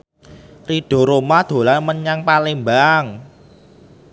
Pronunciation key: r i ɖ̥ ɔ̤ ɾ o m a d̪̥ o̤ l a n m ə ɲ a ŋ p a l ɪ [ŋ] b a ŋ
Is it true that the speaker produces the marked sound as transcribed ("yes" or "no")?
no